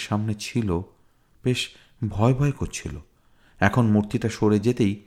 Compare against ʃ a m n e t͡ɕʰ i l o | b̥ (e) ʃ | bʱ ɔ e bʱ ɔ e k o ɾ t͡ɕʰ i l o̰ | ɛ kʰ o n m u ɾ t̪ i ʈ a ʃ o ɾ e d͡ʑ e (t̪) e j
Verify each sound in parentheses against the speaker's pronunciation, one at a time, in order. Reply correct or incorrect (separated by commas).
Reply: correct, correct